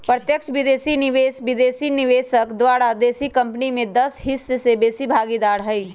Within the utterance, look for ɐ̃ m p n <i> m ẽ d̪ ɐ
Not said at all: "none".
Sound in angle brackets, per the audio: i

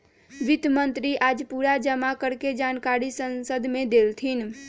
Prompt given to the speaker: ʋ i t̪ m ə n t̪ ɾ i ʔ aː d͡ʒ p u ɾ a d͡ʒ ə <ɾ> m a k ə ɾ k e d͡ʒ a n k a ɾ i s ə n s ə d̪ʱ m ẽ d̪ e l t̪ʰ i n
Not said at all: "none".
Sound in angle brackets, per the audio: none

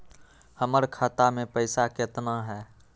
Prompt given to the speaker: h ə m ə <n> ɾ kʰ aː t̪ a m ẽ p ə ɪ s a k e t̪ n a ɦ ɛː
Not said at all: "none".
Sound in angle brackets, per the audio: none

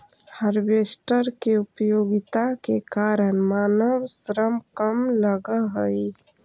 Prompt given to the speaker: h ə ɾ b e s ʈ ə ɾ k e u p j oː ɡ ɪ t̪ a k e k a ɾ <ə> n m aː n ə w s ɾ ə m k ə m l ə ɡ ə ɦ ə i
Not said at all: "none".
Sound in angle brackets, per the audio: ə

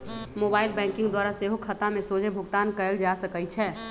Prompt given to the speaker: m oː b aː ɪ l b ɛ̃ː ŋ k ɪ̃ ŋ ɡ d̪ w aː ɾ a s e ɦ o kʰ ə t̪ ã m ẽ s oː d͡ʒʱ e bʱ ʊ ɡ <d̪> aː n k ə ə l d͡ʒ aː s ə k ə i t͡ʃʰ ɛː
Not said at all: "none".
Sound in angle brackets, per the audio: t̪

